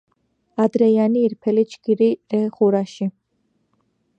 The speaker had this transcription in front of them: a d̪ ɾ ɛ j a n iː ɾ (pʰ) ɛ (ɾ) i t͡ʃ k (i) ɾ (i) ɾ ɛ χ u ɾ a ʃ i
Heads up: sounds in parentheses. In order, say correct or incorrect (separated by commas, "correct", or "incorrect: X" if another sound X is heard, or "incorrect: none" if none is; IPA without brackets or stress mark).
correct, incorrect: l, correct, correct